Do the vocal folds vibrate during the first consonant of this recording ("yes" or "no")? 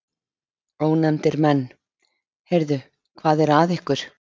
yes